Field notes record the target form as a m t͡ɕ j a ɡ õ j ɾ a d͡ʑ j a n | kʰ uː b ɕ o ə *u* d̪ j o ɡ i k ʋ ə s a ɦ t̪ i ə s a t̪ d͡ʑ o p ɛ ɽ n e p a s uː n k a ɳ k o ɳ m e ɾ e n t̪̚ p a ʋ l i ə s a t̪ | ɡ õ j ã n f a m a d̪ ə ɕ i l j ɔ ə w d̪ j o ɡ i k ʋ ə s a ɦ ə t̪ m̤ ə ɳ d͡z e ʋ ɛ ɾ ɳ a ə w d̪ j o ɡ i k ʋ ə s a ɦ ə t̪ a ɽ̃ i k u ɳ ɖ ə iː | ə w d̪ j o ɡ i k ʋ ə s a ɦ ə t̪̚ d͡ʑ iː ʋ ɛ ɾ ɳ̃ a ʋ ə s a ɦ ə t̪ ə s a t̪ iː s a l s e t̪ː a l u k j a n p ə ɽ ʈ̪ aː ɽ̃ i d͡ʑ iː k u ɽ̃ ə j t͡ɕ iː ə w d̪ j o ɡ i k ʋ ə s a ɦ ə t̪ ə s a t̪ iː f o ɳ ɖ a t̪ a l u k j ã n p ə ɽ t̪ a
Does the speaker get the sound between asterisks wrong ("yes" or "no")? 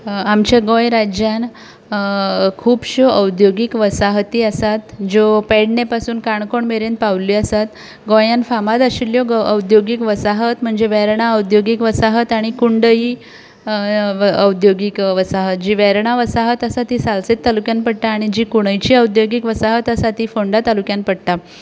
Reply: yes